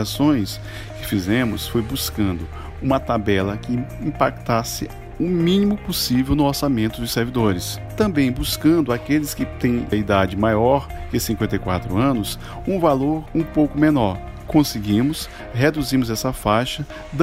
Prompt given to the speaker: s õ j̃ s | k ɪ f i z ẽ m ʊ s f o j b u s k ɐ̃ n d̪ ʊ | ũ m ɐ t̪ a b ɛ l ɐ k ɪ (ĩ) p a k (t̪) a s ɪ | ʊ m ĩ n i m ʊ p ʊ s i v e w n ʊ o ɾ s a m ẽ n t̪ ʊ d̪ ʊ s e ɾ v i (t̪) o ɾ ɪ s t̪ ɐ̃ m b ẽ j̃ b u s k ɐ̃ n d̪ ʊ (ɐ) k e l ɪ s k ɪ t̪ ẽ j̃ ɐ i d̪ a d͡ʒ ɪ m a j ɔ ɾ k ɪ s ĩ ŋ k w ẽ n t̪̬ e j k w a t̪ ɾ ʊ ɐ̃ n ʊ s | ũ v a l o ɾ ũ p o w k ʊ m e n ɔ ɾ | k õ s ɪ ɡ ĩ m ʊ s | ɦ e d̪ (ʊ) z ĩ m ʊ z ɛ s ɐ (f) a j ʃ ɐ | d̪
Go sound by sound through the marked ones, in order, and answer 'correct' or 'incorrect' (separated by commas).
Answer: correct, correct, incorrect, incorrect, incorrect, correct